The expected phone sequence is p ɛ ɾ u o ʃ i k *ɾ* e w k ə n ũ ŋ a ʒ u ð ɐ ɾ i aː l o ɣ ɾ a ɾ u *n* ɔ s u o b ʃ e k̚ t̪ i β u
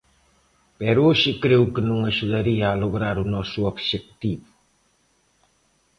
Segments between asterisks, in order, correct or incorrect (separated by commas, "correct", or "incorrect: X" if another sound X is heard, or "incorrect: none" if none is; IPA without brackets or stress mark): correct, correct